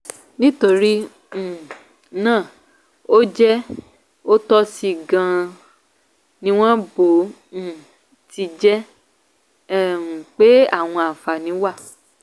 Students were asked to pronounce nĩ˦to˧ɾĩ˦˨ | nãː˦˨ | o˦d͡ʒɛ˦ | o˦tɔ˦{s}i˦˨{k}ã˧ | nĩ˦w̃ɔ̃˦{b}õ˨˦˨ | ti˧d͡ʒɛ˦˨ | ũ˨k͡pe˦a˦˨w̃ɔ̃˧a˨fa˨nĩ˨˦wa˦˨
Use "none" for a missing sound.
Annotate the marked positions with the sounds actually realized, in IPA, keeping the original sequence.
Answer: s, ɡ, b

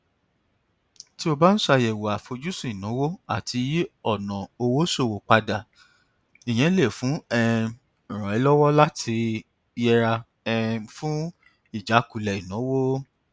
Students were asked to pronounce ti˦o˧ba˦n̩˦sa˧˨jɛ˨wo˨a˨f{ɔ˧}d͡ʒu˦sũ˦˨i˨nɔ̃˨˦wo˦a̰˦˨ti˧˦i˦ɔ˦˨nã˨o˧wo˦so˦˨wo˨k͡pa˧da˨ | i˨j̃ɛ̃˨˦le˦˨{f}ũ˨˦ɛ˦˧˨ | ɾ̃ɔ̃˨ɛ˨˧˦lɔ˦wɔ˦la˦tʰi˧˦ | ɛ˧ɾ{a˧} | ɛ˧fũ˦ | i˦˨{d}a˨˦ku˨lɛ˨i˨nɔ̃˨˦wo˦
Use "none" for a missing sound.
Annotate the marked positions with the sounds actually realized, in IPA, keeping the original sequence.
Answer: o˧, f, a˧, d͡ʒ

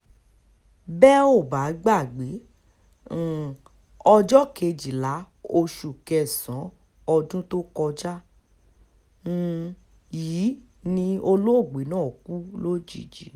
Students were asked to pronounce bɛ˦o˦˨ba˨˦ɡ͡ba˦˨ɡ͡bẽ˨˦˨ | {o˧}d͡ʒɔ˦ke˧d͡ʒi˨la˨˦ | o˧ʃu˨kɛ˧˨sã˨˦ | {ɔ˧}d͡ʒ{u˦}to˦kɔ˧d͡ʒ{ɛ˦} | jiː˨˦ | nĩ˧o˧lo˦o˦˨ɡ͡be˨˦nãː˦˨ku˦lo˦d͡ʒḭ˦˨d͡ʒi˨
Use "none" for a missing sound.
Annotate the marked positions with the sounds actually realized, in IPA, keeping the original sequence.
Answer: ɔ˧, ɔ˧, ũ˦, a˦

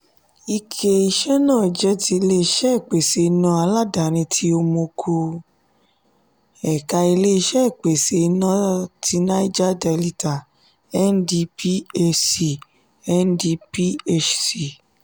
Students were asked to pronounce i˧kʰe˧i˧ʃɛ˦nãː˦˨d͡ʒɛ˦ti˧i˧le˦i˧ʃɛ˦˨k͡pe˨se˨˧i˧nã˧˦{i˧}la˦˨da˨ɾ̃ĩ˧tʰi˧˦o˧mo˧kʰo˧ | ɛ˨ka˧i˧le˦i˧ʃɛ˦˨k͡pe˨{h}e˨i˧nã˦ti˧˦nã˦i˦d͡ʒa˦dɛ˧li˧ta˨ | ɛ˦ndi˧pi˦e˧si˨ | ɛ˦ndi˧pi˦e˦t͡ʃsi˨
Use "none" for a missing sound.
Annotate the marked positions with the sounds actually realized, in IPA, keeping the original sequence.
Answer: a˧, s

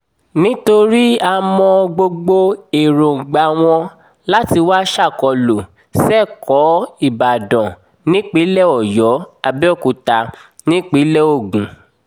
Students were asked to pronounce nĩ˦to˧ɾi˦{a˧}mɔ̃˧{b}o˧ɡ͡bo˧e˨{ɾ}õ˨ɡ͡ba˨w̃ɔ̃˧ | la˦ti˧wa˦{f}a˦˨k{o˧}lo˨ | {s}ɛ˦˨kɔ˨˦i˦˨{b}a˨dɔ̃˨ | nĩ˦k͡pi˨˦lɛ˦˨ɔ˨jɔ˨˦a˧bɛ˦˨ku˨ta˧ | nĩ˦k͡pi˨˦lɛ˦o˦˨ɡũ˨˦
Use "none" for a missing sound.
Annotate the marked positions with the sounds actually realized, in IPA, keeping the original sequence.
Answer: a˧, ɡ͡b, ɾ, ʃ, ɔ˧, s, b

